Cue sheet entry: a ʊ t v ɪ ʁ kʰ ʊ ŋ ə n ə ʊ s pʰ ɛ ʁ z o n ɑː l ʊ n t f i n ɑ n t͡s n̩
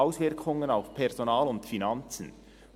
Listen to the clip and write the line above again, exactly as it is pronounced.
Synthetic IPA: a ʊ s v ɪ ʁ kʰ ʊ ŋ ə n a ʊ f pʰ ɛ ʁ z o n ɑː l ʊ n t f i n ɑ n t͡s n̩